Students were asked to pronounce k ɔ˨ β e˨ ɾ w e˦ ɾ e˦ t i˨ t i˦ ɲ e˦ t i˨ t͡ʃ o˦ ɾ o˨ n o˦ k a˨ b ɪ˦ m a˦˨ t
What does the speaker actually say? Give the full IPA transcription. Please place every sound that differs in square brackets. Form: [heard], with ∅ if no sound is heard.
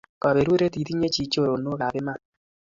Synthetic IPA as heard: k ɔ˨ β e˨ ɾ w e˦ ɾ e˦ t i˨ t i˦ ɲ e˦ [t͡ʃ] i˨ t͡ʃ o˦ ɾ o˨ n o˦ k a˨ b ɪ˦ m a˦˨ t